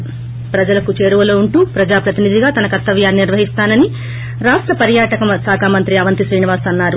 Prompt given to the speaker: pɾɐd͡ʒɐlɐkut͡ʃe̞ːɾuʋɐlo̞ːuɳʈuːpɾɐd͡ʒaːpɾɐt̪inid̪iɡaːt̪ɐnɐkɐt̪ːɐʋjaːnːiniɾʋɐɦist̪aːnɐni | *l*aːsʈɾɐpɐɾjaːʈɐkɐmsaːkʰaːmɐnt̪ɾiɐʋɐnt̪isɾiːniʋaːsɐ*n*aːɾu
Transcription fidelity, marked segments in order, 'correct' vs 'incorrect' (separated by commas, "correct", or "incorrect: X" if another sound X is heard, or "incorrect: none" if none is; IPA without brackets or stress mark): incorrect: ɾ, incorrect: nː